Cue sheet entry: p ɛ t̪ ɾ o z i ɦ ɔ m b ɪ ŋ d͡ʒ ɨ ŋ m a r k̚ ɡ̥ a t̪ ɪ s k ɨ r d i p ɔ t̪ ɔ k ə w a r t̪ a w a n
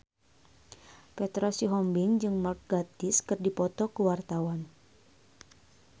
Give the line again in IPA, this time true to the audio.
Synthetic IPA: p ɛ t̪ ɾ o s i ɦ ɔ m b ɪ ŋ d͡ʒ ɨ ŋ m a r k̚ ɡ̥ a t̪ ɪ s k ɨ r d i p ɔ t̪ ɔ k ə w a r t̪ a w a n

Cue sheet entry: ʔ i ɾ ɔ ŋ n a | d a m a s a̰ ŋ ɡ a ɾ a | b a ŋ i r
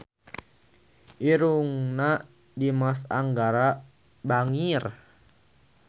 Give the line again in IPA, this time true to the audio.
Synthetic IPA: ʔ i ɾ u ŋ n a | d i m a s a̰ ŋ ɡ a ɾ a | b a ŋ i r

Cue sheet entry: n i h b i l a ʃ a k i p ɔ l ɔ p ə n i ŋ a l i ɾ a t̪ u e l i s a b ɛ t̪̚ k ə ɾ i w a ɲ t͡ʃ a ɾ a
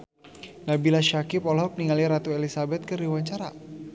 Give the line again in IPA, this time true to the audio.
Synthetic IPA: n a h b i l a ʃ a k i p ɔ l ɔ p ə n i ŋ a l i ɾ a t̪ u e l i s a b ɛ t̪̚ k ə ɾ i w a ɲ t͡ʃ a ɾ a

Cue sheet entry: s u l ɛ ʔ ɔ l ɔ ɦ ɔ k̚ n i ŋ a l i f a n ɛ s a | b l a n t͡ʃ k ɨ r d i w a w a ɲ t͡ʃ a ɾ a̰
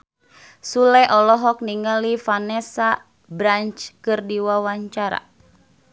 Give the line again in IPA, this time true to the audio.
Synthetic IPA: s u l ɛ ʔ ɔ l ɔ ɦ ɔ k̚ n i ŋ a l i f a n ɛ s a | b ɾ a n t͡ʃ k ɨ r d i w a w a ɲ t͡ʃ a ɾ a̰

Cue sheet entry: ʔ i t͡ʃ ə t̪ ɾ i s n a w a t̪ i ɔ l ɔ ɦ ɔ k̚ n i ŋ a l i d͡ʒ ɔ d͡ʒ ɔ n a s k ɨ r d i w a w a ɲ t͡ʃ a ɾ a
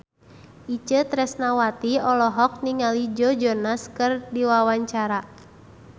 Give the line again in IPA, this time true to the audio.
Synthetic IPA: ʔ i t͡ʃ ə t̪ ɾ ɛ s n a w a t̪ i ɔ l ɔ ɦ ɔ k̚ n i ŋ a l i d͡ʒ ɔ d͡ʒ ɔ n a s k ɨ r d i w a w a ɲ t͡ʃ a ɾ a

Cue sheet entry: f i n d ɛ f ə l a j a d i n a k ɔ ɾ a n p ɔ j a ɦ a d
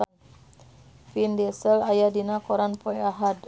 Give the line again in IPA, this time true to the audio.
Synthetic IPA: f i n d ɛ s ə l a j a d i n a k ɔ ɾ a n p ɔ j a ɦ a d

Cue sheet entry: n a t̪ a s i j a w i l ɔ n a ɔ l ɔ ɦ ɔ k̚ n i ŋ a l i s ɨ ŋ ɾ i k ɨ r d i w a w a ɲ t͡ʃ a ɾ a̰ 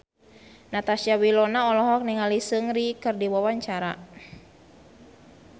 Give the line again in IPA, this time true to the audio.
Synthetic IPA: n a t̪ a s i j a w i l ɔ n a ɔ l ɔ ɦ ɔ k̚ n i ŋ a l i s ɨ ŋ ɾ i k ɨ r d i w a w a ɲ t͡ʃ a ɾ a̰

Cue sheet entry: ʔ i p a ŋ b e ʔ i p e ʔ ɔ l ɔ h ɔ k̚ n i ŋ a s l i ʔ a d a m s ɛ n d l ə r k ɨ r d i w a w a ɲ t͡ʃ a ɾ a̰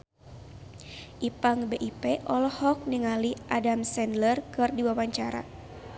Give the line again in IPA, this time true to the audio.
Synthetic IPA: ʔ i p a ŋ b e ʔ i p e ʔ ɔ l ɔ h ɔ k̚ n i ŋ a l i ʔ a d a m s ɛ n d l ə r k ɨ r d i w a w a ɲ t͡ʃ a ɾ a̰

